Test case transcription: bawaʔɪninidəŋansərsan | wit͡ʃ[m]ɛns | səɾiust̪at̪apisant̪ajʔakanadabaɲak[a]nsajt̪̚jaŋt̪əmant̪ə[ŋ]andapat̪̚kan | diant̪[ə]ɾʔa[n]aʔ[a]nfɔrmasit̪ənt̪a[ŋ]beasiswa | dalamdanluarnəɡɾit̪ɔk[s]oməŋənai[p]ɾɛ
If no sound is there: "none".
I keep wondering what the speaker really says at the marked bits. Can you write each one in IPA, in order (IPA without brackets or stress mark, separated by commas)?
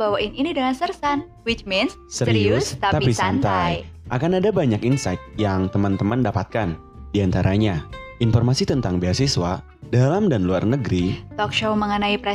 m, i, m, a, ɲ, i, ŋ, ʃ, p